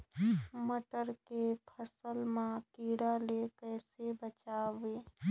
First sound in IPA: m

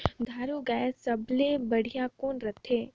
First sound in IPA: d̪ʱ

